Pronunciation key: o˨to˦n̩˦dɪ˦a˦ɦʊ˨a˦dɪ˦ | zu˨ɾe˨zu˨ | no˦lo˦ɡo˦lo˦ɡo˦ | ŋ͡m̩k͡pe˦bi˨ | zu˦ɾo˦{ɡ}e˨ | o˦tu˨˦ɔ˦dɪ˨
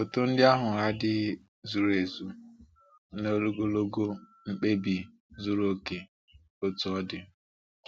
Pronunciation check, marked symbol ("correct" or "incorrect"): incorrect